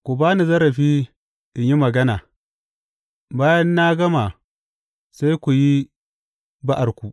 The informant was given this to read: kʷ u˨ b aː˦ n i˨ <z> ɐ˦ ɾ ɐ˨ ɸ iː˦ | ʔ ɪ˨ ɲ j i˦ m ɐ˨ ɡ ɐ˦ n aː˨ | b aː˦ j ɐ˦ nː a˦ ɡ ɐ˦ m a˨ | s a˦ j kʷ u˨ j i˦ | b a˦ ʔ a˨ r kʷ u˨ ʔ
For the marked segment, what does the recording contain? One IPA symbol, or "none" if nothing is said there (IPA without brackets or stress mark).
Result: z